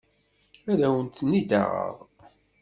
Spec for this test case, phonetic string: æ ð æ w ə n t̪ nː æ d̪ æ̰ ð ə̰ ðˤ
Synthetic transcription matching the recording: æ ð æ w ə n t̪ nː i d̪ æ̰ ʁ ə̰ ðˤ